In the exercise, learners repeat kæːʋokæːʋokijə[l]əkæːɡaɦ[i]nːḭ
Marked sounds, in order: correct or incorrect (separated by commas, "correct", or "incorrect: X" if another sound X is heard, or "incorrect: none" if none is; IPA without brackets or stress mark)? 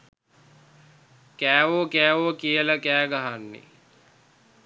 correct, incorrect: a